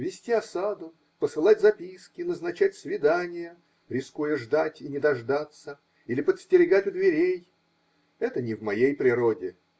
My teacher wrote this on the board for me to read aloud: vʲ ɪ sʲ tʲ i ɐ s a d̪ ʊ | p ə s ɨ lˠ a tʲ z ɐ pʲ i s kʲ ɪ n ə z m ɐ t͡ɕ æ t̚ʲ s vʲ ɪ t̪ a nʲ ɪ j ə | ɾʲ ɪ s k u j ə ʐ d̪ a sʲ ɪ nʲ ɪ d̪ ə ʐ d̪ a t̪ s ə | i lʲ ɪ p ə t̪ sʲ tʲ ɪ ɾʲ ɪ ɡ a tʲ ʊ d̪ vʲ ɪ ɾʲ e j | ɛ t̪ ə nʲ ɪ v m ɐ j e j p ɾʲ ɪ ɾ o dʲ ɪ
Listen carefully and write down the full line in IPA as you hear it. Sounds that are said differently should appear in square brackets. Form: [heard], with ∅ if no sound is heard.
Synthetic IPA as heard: vʲ ɪ sʲ tʲ i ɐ s a d̪ ʊ | p ə s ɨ lˠ a tʲ z ɐ pʲ i s kʲ ɪ n ə z [n] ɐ t͡ɕ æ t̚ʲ s vʲ ɪ [d̪] a nʲ ɪ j ə | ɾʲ ɪ s k u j ə ʐ d̪ a [tʲ] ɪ nʲ ɪ d̪ [ɐ] ʐ d̪ a t̪ s ə | i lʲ ɪ p ə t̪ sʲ tʲ ɪ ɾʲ ɪ ɡ a tʲ ʊ d̪ vʲ ɪ ɾʲ e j | ɛ t̪ ə nʲ ɪ v m ɐ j e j p ɾʲ ɪ ɾ o dʲ ɪ